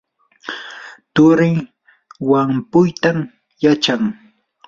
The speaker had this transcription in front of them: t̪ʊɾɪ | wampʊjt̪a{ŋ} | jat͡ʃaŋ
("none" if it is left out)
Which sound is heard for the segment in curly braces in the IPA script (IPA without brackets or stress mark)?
m